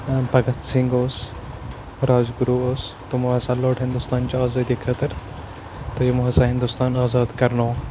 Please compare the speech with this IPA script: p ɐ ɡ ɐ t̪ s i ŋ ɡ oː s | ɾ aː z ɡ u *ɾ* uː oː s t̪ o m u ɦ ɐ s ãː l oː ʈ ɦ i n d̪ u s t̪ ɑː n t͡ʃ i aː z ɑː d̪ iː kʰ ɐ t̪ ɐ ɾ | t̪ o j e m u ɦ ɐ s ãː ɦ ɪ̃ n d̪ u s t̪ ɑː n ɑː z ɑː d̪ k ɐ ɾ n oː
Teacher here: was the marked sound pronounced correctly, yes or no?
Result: yes